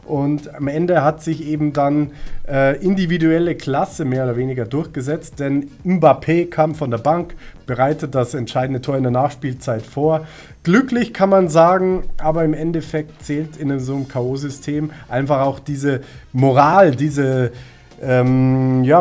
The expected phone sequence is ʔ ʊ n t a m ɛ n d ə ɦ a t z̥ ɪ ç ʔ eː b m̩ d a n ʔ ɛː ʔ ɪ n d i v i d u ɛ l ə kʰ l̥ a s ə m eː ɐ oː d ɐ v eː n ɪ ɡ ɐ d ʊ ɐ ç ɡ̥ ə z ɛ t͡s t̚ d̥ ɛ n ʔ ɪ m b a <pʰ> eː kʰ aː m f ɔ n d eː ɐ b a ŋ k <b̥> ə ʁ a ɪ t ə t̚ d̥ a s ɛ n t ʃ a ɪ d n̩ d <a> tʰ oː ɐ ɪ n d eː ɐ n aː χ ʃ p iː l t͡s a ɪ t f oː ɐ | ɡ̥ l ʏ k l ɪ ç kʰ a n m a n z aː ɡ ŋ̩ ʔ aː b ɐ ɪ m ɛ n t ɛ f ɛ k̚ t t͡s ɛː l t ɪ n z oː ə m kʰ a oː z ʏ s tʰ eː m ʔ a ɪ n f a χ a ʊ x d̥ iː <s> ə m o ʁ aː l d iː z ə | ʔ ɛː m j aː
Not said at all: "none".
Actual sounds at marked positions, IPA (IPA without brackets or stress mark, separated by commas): pʰ, b̥, ə, z